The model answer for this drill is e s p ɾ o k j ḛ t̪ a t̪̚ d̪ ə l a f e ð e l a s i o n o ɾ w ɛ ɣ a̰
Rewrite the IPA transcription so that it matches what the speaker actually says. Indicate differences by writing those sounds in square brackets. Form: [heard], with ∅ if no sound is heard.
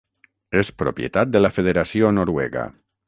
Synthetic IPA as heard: e s p ɾ o [p] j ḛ t̪ a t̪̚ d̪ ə l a f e ð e [ɾ] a s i o n o ɾ w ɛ ɣ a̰